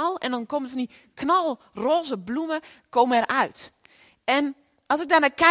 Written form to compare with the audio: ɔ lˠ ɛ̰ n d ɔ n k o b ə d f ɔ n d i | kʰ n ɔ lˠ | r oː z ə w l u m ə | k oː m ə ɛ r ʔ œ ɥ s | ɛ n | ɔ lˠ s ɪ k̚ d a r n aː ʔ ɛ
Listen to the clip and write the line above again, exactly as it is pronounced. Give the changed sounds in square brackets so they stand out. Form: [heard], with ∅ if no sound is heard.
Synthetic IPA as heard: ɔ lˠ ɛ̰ n d ɔ n k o [m] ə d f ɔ n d i | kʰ n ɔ lˠ | r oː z ə [b] l u m ə | k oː m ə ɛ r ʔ œ ɥ [t] | ɛ n | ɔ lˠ s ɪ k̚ d a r n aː [k] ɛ